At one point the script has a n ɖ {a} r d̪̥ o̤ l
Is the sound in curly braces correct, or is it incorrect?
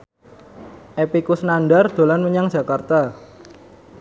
correct